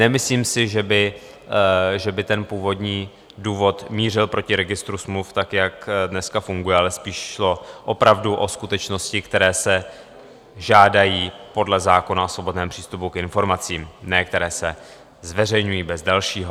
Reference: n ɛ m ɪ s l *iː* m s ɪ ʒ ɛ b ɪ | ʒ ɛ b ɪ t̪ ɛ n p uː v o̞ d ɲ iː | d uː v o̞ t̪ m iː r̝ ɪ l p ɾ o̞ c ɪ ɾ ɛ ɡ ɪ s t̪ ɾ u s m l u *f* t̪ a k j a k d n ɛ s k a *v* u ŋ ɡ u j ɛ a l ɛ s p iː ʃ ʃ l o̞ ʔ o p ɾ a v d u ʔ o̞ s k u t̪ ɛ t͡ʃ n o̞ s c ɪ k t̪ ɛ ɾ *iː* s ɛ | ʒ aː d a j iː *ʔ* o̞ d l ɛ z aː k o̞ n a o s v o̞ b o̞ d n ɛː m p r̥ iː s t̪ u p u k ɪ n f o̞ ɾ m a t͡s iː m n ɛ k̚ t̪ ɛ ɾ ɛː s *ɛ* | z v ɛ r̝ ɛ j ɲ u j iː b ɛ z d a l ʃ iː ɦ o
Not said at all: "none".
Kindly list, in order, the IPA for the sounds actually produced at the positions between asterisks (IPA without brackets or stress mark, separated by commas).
iː, f, f, ɛː, p, ɛ